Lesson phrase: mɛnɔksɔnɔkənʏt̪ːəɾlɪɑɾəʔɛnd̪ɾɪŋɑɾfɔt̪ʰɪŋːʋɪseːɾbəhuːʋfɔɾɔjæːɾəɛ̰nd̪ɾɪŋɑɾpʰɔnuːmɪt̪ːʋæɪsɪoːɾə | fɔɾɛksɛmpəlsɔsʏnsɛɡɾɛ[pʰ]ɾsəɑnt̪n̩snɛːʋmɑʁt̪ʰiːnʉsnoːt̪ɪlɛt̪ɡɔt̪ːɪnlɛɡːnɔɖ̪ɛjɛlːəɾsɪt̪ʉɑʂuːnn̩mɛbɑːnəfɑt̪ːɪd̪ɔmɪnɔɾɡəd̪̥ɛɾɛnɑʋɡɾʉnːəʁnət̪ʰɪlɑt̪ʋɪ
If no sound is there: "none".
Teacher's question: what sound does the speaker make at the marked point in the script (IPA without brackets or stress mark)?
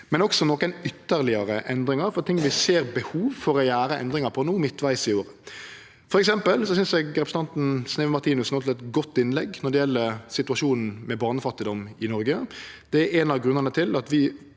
p